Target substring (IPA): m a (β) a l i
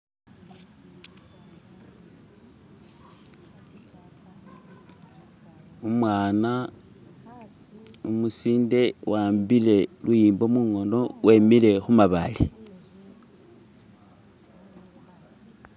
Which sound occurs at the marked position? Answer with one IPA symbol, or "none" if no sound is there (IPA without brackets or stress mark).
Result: β